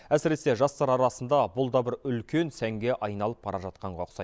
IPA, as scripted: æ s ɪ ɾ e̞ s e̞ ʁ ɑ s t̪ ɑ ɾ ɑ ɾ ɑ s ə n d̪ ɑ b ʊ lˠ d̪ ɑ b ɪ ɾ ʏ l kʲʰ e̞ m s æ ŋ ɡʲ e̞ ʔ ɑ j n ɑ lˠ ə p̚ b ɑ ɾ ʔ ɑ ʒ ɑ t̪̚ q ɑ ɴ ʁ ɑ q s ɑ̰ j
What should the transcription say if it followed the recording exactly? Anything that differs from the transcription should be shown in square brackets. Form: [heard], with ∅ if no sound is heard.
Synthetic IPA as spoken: æ s ɪ ɾ e̞ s e̞ [ʒ] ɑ s t̪ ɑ ɾ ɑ ɾ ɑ s ə n d̪ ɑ b ʊ lˠ d̪ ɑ b ɪ ɾ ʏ l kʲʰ e̞ [n] s æ ŋ ɡʲ e̞ ʔ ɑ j n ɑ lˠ ə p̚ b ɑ ɾ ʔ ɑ ʒ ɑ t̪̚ q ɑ ɴ ʁ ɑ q s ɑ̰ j

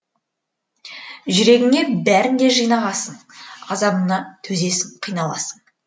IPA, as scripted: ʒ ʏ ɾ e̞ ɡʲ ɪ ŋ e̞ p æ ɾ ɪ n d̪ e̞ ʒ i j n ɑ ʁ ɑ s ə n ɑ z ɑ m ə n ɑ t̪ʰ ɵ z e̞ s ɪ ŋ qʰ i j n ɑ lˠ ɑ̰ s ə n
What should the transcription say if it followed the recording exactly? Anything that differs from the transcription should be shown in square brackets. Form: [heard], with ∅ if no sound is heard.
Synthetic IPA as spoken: ʒ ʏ ɾ e̞ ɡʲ ɪ ŋ e̞ [b] æ ɾ ɪ n d̪ e̞ ʒ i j n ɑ ʁ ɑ s ə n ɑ z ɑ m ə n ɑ t̪ʰ ɵ z e̞ s ɪ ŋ qʰ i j n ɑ lˠ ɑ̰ s ə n

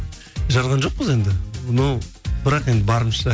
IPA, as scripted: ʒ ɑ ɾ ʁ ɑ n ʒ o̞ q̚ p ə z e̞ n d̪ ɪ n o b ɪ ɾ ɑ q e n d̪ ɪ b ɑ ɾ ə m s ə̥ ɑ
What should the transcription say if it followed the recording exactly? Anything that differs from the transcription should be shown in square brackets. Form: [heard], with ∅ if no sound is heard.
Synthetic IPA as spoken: ʒ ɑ ɾ ʁ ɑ n ʒ o̞ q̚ p ə z e̞ n d̪ ɪ n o b ɪ ɾ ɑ q e n d̪ ɪ b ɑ ɾ ə m [ʃ] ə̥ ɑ

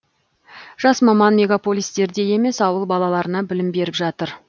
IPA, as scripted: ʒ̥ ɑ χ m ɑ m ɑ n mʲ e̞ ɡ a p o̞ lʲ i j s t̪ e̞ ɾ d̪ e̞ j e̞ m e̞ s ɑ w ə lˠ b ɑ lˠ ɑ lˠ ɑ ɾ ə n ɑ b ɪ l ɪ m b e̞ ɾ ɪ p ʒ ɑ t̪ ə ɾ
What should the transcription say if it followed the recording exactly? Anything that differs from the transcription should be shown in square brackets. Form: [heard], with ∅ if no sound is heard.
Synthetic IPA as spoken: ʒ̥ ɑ [s] m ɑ m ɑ n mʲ e̞ ɡ a p o̞ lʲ i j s t̪ e̞ ɾ d̪ e̞ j e̞ m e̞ s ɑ w ə lˠ b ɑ lˠ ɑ lˠ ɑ ɾ ə n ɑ b ɪ l ɪ m b e̞ ɾ ɪ p ʒ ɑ t̪ ə ɾ

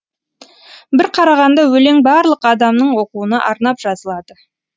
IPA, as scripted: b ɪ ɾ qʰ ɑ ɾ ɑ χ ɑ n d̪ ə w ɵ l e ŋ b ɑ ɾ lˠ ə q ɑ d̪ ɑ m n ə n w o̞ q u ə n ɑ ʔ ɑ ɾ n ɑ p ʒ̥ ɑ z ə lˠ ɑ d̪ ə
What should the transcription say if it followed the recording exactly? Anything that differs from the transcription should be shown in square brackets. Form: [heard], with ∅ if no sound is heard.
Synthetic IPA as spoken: b ɪ ɾ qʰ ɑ ɾ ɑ [ʁ] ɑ n d̪ [ɑ] w ɵ l e ŋ b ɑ ɾ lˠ ə q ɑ d̪ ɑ m n ə [ɴ] w o̞ q u ə n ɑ ʔ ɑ ɾ n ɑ p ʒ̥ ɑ z ə lˠ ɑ d̪ ə

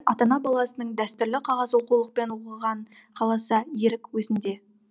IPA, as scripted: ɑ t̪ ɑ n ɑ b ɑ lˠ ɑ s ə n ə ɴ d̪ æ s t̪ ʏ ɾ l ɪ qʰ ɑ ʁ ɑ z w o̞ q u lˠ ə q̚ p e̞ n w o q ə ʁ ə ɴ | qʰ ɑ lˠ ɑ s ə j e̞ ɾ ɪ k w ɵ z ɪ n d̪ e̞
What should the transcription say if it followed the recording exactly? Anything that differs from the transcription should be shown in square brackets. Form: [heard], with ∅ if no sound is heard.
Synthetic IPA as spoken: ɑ t̪ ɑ n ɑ b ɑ lˠ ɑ s ə n ə ɴ d̪ æ s t̪ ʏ ɾ l ɪ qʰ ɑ ʁ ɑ z w o̞ q u lˠ ə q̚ p e̞ n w o q ə ʁ [ɑ] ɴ | qʰ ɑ lˠ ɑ s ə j e̞ ɾ ɪ k w ɵ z ɪ n d̪ e̞

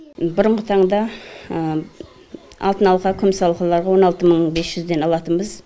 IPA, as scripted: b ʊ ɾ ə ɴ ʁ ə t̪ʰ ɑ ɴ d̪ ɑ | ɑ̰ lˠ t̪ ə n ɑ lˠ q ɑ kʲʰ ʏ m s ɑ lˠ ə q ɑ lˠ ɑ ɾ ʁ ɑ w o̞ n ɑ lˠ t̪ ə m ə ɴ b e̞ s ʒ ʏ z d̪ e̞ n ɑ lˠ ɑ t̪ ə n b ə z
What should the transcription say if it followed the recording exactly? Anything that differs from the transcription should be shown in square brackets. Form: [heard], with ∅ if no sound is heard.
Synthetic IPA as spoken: b ʊ ɾ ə ɴ ʁ ə t̪ʰ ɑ ɴ d̪ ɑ | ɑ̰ lˠ t̪ ə n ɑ lˠ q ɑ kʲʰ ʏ m s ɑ lˠ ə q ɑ lˠ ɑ ɾ ʁ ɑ w o̞ n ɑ lˠ t̪ ə m ə ɴ b e̞ s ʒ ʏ z d̪ e̞ n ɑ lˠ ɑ t̪ ə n b ə z

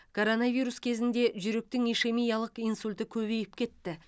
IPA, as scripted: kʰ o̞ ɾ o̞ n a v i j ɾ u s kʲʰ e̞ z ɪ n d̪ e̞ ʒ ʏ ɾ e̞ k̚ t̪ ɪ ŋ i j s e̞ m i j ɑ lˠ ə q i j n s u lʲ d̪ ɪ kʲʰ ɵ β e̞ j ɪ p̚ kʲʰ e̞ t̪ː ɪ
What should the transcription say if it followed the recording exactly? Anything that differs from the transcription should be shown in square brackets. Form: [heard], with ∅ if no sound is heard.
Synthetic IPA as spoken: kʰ o̞ ɾ o̞ n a v i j ɾ u s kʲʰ e̞ z ɪ n d̪ e̞ ʒ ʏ ɾ e̞ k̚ t̪ ɪ ŋ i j [ʃ] e̞ m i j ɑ lˠ ə q i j n s u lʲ [t̪] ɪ kʲʰ ɵ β e̞ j ɪ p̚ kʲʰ e̞ t̪ː ɪ

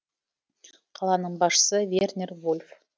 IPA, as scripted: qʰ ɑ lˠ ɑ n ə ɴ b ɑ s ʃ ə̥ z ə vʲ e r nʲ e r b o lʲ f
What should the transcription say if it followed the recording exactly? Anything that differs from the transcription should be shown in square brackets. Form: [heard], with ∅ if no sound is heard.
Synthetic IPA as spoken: qʰ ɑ lˠ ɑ n ə ɴ b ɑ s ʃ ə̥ [s] ə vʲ e r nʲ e r [v] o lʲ f

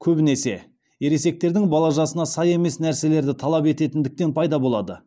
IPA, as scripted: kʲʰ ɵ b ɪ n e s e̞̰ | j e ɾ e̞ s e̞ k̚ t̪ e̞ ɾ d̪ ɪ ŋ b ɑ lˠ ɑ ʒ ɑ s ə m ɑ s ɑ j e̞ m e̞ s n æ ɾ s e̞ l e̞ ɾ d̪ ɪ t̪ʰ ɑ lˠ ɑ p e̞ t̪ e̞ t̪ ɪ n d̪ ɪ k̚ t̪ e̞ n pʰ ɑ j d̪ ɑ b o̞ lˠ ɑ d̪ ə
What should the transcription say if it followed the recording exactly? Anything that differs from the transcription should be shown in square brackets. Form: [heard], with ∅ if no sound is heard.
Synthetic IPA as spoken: kʲʰ ɵ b ɪ n e s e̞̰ | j e ɾ e̞ s e̞ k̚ t̪ e̞ ɾ d̪ ɪ ŋ b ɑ lˠ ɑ ʒ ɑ s ə [n] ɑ s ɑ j e̞ m e̞ s n æ ɾ s e̞ l e̞ ɾ d̪ ɪ t̪ʰ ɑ lˠ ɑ p e̞ t̪ e̞ t̪ ɪ n d̪ ɪ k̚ t̪ e̞ n pʰ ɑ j d̪ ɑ b o̞ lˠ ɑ d̪ ə

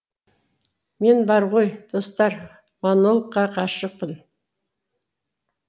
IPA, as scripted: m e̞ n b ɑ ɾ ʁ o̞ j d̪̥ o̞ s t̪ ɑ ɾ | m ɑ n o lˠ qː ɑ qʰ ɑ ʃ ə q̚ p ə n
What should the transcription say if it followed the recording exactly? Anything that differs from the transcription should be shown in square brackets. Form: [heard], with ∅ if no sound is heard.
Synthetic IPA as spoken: m e̞ n b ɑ ɾ ʁ o̞ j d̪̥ o̞ s t̪ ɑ ɾ | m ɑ n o lˠ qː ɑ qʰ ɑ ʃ ə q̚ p ə n

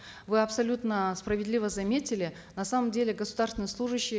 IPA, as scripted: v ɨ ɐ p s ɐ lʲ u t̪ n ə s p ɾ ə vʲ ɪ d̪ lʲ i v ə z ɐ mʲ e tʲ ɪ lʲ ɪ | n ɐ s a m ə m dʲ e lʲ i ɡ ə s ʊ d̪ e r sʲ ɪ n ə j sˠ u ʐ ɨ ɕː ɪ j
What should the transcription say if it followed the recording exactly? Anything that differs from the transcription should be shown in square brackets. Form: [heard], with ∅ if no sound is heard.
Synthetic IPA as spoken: v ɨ ɐ p s ɐ lʲ u t̪ n ə s p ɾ ə vʲ ɪ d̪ lʲ i v ə z ɐ mʲ e tʲ ɪ lʲ ɪ | n ɐ s a m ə m dʲ e lʲ [ɪ] ɡ ə s ʊ d̪ [a] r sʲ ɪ n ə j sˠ u ʐ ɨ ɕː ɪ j

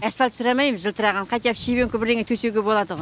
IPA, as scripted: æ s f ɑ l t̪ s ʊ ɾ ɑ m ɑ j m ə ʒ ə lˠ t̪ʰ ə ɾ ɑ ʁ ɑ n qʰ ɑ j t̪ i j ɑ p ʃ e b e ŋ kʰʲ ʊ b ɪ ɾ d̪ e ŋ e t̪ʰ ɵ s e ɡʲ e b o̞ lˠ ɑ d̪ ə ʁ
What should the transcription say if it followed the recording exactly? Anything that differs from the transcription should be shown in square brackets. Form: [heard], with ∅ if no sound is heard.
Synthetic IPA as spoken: æ s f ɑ l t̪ s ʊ ɾ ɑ m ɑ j m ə ʒ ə lˠ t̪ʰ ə ɾ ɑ ʁ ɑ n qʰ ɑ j t̪ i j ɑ p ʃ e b e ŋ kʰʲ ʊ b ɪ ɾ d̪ e ŋ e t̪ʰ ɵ s e ɡʲ e b o̞ lˠ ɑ d̪ ə ʁ

